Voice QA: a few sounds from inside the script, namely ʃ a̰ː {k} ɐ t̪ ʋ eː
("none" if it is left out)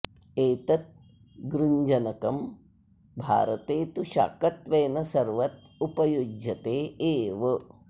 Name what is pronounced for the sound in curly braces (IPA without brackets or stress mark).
k